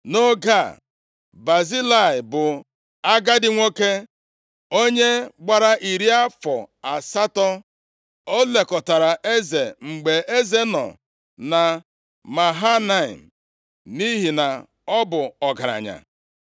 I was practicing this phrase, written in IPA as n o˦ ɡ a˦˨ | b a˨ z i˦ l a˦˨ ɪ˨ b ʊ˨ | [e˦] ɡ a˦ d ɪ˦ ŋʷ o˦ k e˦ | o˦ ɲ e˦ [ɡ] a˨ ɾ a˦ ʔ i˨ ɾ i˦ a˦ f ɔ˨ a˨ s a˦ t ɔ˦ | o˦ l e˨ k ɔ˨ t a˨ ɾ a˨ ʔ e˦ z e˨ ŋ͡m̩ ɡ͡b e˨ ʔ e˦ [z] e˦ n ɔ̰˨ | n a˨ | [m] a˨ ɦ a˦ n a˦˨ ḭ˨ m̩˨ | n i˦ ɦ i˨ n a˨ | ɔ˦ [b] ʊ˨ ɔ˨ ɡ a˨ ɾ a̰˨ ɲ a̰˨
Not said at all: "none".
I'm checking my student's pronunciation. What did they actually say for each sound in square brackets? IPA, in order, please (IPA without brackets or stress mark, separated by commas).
a˦, ɡ͡b, z, m, b